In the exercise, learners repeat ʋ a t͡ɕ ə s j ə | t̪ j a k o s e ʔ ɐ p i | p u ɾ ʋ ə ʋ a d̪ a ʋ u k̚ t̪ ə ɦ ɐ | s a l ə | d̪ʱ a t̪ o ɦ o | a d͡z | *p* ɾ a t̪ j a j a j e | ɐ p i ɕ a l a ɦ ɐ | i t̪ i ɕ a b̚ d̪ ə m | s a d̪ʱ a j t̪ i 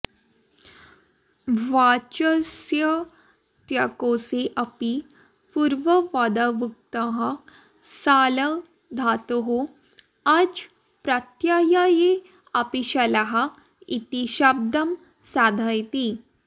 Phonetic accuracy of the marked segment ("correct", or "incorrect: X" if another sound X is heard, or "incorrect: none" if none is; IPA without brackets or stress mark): correct